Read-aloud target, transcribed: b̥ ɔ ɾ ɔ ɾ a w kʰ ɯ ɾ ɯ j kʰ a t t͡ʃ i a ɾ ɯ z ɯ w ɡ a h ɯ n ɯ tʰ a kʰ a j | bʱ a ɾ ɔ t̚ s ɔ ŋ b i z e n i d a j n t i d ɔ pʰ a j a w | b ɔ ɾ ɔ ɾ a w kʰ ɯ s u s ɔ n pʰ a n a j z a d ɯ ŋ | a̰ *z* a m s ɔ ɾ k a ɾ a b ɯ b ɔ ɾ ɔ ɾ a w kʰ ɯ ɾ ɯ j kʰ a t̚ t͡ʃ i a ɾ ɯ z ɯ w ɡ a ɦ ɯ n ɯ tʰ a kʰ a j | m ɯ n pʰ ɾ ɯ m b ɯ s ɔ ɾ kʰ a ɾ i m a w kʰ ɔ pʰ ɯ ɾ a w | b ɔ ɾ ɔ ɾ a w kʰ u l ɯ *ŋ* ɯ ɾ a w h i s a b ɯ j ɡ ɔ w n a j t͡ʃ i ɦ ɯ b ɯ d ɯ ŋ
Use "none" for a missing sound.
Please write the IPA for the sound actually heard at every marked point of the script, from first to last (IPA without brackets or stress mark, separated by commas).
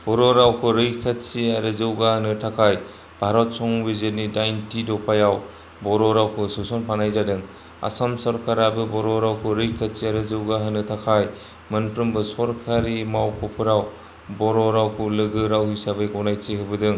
s, ɡ